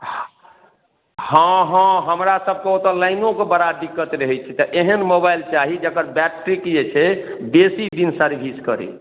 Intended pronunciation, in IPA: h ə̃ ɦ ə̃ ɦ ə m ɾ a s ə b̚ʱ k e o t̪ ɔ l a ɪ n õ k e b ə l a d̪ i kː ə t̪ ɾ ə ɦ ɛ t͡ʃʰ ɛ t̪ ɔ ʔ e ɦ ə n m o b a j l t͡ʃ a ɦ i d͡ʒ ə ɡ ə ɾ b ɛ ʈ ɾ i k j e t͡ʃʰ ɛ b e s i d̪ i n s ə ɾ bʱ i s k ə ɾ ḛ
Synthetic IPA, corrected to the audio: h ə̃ ɦ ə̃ ɦ ə m ɾ a s ə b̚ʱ k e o t̪ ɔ l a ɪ n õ k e b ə ɾ a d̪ i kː ə t̪ ɾ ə ɦ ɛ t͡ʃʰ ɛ t̪ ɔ ʔ e ɦ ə n m o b a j l t͡ʃ a ɦ i d͡ʒ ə k ə ɾ b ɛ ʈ ɾ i k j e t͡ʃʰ ɛ b e s i d̪ i n s ə ɾ bʱ i s k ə ɾ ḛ